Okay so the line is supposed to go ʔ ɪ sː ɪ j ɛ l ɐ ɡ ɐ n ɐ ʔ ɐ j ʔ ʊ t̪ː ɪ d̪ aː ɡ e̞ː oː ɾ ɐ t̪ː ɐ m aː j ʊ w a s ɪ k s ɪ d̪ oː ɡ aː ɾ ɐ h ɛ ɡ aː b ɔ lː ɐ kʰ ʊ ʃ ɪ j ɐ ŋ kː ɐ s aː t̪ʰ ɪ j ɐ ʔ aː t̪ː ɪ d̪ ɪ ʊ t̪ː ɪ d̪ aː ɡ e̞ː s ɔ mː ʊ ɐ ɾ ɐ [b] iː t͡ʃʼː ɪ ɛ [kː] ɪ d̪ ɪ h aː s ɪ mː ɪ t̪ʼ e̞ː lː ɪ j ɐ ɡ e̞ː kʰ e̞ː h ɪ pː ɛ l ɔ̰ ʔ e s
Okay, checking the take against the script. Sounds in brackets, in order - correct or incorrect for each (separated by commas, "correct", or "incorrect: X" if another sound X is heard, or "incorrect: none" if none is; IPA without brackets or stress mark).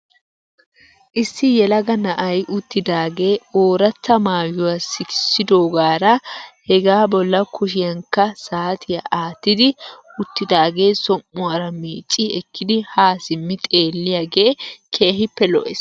incorrect: m, correct